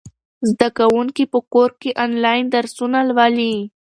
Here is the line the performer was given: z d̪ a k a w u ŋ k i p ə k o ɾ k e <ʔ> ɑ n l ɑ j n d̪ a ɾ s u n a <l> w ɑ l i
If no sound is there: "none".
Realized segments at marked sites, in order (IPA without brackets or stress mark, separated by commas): ʔ, l